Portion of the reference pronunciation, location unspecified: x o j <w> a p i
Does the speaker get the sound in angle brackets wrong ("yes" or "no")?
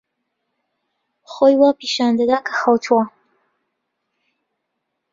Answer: no